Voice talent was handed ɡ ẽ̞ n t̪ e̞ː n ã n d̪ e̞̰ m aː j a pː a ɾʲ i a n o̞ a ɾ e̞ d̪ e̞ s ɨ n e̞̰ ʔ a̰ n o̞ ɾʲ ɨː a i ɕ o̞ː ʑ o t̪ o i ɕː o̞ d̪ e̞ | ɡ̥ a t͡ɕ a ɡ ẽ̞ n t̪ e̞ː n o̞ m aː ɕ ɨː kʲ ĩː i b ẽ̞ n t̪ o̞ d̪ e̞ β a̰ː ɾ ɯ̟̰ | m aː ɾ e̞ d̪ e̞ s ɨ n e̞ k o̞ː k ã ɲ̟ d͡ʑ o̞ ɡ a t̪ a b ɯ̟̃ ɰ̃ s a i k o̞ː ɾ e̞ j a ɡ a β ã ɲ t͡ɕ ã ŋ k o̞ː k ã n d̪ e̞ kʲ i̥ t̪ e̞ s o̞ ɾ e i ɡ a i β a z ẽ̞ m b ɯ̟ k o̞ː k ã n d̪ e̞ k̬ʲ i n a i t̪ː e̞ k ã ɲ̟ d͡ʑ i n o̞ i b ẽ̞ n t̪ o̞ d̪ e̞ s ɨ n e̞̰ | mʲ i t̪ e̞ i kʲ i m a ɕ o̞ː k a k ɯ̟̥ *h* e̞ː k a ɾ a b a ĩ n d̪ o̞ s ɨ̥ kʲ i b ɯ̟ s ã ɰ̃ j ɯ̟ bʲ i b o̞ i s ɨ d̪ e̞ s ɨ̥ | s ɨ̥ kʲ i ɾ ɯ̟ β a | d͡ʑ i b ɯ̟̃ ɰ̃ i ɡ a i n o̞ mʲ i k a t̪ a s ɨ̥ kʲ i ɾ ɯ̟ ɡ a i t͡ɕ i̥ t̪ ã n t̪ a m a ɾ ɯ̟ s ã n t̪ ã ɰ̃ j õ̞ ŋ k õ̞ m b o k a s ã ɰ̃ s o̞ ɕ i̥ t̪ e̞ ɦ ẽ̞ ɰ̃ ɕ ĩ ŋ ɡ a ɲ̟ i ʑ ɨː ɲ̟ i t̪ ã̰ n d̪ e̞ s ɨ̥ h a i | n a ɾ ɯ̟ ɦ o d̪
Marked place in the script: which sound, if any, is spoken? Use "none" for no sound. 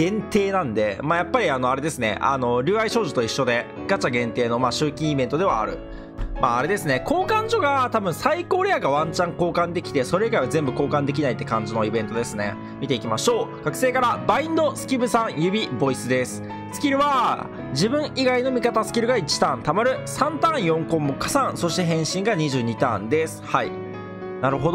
s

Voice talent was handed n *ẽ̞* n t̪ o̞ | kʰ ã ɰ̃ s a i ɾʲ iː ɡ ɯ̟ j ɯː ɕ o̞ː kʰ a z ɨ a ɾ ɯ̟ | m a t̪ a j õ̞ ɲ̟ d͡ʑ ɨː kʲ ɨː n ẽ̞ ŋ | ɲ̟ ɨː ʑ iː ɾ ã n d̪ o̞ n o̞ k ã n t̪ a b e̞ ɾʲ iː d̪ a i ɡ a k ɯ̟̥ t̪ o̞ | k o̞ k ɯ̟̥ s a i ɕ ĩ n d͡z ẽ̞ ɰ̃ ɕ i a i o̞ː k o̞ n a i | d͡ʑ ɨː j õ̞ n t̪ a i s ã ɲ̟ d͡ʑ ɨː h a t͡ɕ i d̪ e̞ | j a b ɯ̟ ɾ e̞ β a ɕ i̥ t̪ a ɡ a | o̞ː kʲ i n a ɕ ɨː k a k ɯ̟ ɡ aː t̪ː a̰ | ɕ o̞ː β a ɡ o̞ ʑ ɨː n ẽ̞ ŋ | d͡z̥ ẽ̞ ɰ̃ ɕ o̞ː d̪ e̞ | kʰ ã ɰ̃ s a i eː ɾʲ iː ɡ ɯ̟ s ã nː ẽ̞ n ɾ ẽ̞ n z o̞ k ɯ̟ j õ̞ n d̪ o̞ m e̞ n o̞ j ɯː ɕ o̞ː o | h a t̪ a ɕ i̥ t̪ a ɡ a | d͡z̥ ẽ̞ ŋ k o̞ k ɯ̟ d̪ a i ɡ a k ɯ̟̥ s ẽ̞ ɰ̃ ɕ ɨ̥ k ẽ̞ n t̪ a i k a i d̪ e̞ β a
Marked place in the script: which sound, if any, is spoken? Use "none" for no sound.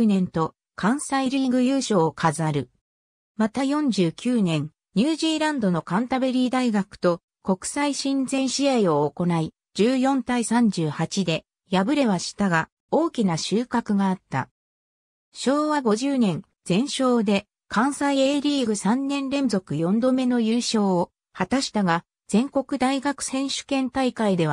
ẽ̞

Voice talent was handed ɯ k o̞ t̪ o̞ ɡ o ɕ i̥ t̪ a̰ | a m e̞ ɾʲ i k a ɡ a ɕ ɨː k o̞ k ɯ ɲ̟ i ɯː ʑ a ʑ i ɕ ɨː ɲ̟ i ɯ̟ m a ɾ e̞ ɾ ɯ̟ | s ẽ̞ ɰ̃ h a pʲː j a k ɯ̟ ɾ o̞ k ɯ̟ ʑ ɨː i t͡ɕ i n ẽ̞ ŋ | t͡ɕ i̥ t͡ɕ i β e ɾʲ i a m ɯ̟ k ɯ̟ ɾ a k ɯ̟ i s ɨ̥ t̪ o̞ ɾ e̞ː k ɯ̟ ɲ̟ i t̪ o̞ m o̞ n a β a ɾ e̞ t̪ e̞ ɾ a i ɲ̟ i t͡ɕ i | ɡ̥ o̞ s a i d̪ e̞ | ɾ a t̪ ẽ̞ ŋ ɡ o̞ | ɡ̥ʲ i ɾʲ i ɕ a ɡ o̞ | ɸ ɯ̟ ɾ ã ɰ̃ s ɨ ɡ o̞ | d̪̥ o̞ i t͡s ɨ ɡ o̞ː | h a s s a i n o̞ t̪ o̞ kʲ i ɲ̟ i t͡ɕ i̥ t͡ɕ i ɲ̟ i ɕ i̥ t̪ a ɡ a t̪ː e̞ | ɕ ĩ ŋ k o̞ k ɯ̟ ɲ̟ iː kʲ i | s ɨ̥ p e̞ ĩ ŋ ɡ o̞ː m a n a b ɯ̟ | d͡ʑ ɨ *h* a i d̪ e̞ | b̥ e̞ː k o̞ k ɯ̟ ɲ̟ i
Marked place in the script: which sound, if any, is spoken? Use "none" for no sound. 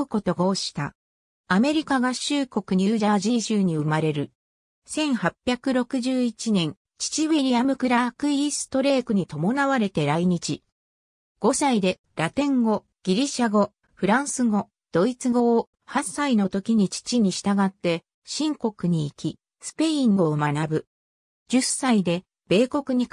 s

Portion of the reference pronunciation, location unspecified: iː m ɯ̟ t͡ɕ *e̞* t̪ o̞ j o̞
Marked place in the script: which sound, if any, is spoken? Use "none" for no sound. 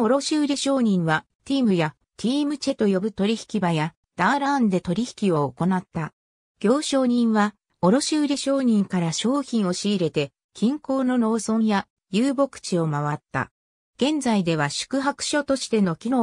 e̞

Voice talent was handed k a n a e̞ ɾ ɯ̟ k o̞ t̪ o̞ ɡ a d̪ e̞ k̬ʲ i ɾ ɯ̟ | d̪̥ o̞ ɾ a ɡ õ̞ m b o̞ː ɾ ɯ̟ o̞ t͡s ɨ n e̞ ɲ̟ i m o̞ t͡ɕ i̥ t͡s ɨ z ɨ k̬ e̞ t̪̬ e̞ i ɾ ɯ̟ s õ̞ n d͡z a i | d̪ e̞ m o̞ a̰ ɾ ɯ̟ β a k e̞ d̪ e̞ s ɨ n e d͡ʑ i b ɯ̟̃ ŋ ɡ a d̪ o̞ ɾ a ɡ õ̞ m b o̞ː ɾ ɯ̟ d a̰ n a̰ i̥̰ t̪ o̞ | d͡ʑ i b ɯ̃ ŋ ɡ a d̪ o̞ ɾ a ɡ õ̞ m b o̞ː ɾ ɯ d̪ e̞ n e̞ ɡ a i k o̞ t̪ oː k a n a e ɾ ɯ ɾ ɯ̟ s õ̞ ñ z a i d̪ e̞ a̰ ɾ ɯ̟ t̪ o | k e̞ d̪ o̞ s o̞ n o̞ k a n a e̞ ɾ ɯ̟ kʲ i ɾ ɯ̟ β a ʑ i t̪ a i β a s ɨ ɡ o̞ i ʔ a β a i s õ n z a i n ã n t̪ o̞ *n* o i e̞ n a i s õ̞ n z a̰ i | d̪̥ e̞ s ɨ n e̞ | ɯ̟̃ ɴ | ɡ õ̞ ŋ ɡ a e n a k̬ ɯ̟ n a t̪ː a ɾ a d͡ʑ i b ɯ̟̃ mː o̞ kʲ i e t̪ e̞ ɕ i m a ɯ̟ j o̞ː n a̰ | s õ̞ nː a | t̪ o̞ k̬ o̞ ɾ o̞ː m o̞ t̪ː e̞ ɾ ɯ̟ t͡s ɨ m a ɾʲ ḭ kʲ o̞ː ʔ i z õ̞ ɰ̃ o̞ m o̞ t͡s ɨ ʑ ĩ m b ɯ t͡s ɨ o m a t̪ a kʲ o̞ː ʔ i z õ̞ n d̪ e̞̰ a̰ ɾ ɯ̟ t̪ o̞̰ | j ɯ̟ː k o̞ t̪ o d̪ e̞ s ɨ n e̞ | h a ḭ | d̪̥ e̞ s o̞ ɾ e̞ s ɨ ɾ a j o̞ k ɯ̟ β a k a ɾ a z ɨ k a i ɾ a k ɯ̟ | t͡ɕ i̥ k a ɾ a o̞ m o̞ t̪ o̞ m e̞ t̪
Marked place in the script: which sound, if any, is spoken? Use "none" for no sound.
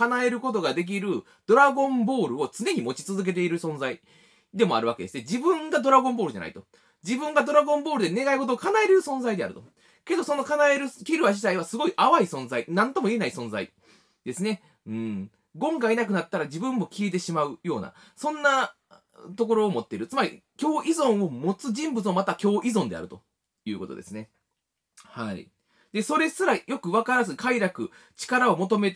m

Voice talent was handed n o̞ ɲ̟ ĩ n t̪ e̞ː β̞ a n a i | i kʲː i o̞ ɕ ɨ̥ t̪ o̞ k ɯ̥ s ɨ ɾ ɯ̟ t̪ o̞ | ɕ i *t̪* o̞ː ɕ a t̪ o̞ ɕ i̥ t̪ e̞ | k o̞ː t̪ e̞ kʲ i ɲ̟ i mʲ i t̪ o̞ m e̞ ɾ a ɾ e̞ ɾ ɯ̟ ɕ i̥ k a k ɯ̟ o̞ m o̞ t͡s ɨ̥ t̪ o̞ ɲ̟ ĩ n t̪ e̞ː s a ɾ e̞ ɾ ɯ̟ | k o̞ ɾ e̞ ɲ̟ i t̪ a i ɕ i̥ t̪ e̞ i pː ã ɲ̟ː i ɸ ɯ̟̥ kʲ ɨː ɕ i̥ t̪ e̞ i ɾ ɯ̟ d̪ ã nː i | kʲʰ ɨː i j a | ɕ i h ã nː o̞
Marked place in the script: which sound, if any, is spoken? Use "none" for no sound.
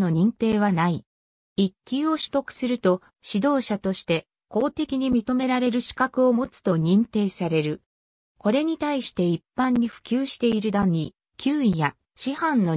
d̪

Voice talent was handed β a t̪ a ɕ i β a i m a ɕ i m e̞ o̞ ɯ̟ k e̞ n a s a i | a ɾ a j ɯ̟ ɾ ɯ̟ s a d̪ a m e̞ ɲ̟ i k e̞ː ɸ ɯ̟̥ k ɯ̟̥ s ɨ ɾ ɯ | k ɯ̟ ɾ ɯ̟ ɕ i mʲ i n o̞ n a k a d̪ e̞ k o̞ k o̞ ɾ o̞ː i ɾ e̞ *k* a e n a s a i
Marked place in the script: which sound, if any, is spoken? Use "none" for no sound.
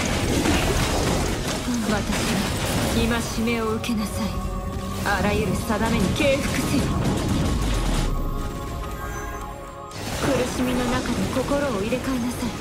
k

